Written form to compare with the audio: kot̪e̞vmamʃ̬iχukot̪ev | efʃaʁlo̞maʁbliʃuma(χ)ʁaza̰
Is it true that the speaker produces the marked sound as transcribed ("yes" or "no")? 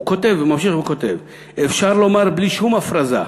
no